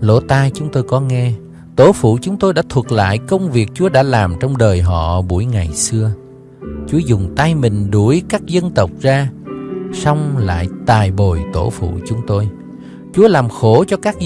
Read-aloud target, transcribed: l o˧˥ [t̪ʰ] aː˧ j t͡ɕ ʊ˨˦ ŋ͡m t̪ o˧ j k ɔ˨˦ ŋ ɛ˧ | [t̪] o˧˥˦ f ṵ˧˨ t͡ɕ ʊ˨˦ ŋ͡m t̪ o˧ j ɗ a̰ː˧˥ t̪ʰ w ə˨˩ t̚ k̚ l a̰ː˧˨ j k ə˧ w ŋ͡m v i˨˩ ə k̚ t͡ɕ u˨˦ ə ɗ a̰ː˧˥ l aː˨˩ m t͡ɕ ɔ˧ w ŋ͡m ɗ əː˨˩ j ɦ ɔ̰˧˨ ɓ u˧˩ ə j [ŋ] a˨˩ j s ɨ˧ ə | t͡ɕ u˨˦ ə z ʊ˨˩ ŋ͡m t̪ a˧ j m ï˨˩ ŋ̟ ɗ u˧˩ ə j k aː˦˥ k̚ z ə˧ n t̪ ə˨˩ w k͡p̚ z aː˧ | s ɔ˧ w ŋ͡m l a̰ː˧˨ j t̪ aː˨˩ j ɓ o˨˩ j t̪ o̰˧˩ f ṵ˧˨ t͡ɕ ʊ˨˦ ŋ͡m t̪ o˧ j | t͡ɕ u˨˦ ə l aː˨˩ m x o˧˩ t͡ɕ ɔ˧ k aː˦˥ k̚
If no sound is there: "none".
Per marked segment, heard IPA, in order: t̪, t̪, ŋ

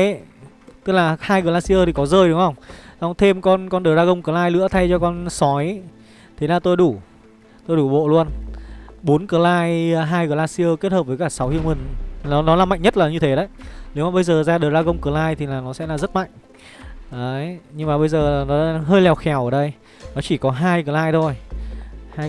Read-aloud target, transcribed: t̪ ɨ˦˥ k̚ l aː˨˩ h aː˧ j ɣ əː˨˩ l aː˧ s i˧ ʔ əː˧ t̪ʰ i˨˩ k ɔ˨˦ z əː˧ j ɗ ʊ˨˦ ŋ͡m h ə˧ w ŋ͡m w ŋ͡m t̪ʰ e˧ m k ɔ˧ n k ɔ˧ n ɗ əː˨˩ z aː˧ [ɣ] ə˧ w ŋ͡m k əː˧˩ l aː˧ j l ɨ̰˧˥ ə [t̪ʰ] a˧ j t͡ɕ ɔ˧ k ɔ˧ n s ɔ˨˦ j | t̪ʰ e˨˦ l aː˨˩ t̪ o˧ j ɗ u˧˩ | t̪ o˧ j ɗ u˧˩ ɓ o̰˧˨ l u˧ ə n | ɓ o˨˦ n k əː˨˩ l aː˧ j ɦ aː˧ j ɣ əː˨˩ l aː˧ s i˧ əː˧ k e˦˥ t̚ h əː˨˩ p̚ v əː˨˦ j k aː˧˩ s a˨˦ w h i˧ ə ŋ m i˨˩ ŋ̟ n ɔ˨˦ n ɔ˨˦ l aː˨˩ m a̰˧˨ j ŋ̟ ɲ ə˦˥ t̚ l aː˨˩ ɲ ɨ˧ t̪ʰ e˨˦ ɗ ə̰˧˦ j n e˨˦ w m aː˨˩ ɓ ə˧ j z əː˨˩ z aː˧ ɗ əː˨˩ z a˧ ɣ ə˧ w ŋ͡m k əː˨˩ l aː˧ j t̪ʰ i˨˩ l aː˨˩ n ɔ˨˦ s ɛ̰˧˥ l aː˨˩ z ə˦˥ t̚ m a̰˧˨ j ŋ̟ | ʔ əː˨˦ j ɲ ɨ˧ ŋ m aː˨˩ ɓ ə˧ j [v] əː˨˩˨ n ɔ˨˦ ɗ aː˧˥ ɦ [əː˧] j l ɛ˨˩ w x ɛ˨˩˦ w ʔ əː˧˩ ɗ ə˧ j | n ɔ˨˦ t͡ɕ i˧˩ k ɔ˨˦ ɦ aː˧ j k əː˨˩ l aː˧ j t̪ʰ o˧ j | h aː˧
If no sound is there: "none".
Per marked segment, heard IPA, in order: ɣ, t̪ʰ, z, əː˧

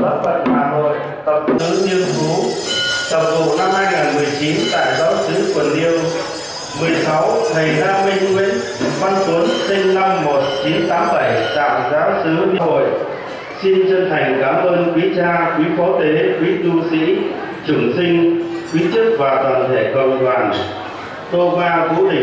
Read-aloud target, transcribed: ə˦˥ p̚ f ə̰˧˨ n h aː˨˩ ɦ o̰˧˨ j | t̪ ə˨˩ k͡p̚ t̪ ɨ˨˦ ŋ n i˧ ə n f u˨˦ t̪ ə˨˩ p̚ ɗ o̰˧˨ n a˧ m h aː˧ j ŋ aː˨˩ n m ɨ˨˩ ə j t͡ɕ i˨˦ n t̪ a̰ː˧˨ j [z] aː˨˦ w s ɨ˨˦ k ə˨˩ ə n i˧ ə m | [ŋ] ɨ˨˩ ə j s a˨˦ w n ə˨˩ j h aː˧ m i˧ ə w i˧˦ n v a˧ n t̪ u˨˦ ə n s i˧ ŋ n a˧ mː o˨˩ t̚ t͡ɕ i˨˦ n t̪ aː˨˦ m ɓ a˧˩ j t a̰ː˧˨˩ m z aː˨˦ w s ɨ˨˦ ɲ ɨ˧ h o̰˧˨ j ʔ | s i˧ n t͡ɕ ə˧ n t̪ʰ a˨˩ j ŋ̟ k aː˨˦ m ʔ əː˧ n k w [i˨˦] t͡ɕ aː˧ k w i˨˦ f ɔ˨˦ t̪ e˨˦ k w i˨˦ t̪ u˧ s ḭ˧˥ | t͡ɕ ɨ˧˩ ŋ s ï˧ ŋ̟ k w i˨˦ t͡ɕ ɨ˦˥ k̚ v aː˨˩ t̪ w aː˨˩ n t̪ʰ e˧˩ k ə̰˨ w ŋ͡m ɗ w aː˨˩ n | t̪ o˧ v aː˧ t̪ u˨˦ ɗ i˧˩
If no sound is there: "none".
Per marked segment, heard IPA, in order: z, m, i˨˦

